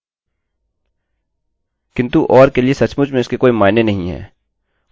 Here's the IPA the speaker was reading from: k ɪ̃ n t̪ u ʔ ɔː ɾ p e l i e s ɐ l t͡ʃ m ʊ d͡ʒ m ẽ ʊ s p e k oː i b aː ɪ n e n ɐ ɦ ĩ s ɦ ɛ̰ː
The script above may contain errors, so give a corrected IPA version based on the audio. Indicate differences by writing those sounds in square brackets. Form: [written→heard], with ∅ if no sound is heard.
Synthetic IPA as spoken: k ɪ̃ n t̪ u ʔ ɔː ɾ [p→k] e l i e s ɐ [l→∅] t͡ʃ m ʊ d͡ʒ m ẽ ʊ s [p→k] e k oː i [b→m] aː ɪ n e n ɐ ɦ ĩ [s→∅] ɦ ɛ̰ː